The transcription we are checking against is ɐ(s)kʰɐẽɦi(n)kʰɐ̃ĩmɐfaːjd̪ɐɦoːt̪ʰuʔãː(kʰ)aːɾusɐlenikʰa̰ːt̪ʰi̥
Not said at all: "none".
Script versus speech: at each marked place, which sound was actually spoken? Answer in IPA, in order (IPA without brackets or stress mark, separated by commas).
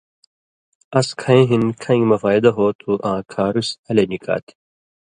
s, n, kʰ